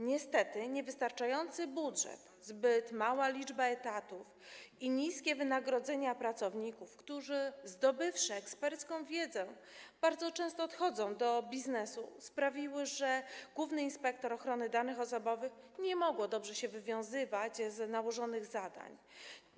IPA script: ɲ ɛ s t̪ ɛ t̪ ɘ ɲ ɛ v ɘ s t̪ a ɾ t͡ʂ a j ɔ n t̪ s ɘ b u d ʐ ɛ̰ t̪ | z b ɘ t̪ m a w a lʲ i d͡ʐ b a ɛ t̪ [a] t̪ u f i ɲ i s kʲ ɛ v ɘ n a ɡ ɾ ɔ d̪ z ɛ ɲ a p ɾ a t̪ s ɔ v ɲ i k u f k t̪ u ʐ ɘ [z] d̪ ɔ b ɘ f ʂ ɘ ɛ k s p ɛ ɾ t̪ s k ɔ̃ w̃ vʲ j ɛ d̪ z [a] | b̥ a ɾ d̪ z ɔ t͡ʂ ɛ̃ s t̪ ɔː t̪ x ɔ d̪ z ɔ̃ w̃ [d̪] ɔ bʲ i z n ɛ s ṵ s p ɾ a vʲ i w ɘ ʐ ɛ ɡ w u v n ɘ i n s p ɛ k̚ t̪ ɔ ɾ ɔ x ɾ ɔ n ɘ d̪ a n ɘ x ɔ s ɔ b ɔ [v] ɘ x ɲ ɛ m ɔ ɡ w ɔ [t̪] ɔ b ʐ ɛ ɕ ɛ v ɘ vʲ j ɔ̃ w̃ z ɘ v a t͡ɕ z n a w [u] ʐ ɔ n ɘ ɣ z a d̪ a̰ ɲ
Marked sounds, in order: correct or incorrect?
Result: correct, correct, incorrect, correct, correct, incorrect, incorrect

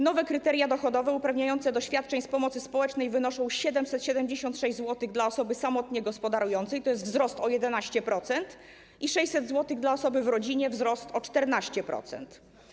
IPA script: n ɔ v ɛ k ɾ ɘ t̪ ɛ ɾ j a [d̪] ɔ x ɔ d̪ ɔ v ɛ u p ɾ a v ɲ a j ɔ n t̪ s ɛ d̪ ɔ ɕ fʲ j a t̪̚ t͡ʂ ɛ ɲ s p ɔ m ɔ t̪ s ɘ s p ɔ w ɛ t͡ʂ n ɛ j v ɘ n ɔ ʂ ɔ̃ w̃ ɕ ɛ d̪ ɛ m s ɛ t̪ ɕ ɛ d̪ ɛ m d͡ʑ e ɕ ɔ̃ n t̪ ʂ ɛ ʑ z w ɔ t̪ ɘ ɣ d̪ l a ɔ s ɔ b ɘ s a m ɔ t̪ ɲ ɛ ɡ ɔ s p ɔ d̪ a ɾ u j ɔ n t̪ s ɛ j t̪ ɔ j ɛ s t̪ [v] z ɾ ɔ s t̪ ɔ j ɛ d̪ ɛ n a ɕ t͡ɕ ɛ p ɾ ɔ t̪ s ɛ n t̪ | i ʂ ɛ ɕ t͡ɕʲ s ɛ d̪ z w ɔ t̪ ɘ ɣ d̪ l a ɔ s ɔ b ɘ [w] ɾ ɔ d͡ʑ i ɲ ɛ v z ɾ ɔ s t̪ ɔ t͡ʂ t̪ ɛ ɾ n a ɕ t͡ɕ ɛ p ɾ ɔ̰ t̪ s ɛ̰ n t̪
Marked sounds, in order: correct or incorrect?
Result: correct, correct, incorrect

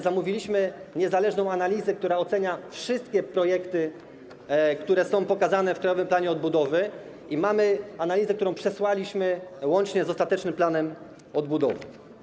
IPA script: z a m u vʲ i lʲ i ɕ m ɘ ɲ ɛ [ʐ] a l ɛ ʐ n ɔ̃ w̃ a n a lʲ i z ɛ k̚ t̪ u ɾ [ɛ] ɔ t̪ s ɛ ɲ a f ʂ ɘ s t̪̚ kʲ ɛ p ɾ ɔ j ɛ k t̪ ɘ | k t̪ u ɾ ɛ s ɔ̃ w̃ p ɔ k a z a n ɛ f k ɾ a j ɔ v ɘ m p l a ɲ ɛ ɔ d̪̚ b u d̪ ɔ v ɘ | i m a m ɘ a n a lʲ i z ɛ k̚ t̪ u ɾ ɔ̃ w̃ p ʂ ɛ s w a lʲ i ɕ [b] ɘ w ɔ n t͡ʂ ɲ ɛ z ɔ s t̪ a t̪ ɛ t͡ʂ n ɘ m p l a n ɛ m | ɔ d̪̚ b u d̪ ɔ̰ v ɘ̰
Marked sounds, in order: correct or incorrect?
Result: incorrect, incorrect, incorrect

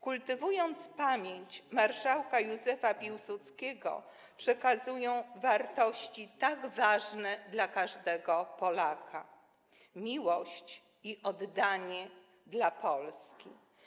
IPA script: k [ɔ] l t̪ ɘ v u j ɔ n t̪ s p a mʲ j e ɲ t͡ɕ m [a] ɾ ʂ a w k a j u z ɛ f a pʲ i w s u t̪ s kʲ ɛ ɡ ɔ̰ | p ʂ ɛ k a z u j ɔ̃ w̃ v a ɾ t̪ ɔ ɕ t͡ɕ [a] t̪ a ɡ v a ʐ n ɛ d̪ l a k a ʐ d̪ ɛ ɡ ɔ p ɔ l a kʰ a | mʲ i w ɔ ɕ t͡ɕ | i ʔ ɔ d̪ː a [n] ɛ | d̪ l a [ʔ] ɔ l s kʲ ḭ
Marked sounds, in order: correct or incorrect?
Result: incorrect, correct, incorrect, incorrect, incorrect

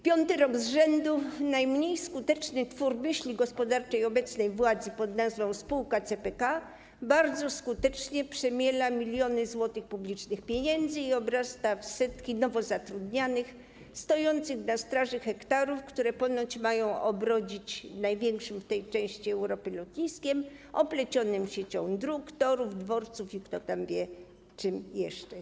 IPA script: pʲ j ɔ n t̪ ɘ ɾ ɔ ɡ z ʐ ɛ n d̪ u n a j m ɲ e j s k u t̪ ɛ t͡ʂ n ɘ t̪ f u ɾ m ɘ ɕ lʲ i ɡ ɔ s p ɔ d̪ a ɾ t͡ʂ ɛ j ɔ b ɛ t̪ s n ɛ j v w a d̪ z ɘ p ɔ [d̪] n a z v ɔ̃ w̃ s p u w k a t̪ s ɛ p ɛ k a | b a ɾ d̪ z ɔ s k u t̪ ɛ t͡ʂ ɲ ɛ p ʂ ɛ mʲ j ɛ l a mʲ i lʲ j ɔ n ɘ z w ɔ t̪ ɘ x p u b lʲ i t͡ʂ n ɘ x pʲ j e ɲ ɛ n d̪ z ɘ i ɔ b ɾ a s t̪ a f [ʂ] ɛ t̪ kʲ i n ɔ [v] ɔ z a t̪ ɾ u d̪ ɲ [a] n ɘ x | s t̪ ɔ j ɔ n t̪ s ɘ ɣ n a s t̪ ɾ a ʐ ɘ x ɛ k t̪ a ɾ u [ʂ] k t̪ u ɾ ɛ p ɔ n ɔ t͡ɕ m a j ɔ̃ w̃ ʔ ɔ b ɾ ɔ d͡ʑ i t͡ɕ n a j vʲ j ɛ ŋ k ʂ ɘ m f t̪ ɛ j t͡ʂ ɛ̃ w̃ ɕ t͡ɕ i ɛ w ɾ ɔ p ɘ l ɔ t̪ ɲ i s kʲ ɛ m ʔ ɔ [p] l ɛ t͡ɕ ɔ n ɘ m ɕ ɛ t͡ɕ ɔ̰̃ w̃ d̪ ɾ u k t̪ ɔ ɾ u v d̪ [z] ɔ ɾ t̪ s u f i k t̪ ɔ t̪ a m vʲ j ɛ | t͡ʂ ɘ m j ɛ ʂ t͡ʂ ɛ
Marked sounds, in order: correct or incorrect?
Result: correct, incorrect, correct, correct, incorrect, correct, incorrect

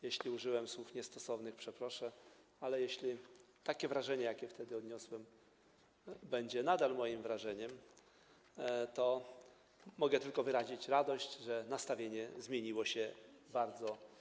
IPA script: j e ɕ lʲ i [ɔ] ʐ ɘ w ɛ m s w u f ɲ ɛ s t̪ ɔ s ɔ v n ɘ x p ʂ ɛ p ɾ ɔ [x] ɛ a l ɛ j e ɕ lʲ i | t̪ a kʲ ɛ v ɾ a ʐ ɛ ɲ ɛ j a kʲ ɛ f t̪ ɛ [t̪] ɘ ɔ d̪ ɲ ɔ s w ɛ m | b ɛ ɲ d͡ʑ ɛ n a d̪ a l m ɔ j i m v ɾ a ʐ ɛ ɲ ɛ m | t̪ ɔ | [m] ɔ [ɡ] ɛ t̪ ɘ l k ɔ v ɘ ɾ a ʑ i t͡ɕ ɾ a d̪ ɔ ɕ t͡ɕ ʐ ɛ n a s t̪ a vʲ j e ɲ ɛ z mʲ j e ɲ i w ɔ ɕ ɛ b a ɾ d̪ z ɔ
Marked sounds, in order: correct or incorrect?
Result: incorrect, incorrect, incorrect, correct, correct

